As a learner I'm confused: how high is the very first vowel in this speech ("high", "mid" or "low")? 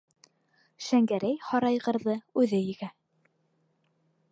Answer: low